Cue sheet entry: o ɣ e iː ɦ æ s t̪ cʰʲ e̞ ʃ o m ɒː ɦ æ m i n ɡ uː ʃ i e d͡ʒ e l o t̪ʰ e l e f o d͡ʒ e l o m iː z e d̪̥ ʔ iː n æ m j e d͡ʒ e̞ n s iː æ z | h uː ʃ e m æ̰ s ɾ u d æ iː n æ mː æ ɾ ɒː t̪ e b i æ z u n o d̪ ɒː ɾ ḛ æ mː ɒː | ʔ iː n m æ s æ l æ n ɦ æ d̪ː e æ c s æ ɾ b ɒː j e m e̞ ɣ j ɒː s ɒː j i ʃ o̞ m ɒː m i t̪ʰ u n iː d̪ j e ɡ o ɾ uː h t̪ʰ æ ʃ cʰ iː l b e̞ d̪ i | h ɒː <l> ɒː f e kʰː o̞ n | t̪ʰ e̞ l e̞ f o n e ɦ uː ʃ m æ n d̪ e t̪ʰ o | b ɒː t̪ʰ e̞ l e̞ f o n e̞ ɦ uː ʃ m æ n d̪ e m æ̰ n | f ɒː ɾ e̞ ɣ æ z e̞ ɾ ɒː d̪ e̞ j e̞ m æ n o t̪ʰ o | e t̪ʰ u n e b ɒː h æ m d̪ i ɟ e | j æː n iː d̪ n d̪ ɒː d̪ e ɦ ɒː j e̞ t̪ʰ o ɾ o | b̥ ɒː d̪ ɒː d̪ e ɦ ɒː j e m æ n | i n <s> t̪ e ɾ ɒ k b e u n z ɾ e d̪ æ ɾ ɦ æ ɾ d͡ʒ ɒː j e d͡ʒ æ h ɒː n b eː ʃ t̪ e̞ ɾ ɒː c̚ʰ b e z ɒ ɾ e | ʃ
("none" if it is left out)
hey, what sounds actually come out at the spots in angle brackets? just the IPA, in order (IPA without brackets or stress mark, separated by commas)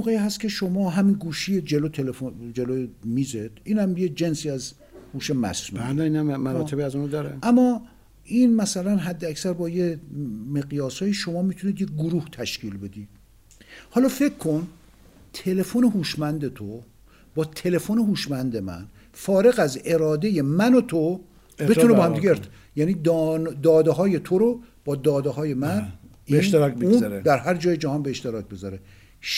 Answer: l, ʃ